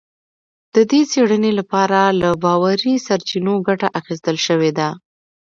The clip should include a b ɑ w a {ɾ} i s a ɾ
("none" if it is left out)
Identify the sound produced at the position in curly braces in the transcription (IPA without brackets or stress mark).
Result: ɾ